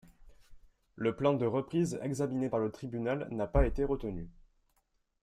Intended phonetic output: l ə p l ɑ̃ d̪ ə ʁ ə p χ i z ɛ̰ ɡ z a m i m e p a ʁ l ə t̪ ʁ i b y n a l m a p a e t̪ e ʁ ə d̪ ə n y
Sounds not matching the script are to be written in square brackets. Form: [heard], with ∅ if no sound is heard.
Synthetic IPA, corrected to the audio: l ə p l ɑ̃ d̪ ə ʁ ə p χ i z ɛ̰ ɡ z a m i [n] e p a ʁ l ə t̪ [χ] i b y n a l [n] a p a e t̪ e ʁ ə [t̪] ə n y